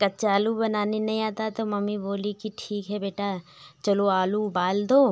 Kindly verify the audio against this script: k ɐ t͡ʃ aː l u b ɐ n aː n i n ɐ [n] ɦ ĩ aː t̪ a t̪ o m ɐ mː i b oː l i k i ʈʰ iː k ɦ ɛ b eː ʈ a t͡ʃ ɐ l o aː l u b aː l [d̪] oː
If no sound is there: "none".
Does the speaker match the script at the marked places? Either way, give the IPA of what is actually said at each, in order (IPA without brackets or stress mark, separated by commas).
none, d̪